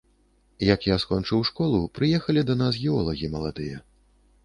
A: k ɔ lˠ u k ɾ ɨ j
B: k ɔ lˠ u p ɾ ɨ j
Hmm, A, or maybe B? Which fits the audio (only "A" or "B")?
B